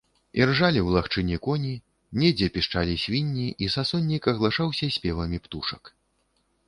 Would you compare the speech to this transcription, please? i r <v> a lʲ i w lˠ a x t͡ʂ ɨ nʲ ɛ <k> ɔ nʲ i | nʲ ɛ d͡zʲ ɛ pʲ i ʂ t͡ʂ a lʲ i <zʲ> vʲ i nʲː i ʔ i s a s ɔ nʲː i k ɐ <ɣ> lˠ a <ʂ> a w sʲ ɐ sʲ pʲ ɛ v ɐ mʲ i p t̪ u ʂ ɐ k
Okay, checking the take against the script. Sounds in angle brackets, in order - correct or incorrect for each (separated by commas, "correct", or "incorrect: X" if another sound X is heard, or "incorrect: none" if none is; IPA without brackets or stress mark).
incorrect: ʐ, correct, incorrect: sʲ, correct, correct